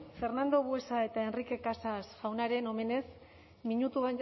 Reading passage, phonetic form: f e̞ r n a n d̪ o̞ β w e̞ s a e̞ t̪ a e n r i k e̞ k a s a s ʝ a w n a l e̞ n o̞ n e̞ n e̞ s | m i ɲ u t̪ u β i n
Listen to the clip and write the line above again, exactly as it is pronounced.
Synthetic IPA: f e̞ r n a n d̪ o̞ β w e̞ s a e̞ t̪ a e n r i k e̞ k a s a s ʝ a w n a ɾ e̞ n o̞ m e̞ n e̞ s | m i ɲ u t̪ u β a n